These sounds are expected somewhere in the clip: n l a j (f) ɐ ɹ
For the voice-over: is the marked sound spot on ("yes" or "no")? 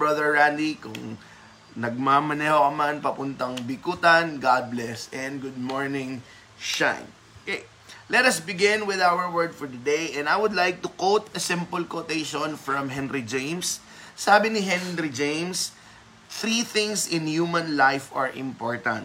yes